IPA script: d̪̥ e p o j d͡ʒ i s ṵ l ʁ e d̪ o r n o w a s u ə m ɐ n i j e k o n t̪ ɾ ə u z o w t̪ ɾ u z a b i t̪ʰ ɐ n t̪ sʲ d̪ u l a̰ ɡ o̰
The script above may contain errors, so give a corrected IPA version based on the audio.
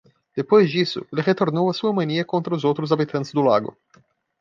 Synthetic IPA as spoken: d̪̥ e p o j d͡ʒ i s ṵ l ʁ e t̪ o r n o w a s u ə m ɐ n i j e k o n t̪ ɾ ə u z o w t̪ ɾ u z a b i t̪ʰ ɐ n t̪ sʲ d̪ u l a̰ ɡ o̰